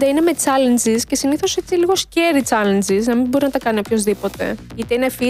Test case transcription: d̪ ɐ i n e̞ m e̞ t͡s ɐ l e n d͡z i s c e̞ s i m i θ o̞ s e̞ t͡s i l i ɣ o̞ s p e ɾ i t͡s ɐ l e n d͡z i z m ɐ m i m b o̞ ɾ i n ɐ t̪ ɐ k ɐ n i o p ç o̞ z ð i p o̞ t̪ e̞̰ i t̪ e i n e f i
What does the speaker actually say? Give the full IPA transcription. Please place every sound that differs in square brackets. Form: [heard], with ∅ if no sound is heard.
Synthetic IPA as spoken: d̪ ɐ i n e̞ m e̞ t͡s ɐ l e n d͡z i s c e̞ s i [n] i θ o̞ s e̞ t͡s i l i ɣ o̞ s [c] e ɾ i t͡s ɐ l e n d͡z i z [n] ɐ m i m b o̞ ɾ i n ɐ t̪ ɐ k ɐ n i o p ç o̞ z ð i p o̞ t̪ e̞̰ i t̪ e i n e f i